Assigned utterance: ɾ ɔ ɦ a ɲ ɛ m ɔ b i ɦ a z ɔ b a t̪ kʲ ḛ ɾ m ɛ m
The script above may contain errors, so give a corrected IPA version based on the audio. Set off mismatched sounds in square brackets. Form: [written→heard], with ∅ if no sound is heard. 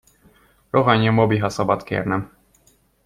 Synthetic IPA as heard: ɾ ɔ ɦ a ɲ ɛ m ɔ b i ɦ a [z→s] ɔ b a t̪ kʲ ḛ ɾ [m→n] ɛ m